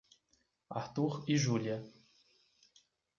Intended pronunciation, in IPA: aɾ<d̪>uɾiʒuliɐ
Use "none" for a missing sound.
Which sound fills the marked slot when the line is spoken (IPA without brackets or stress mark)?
t̪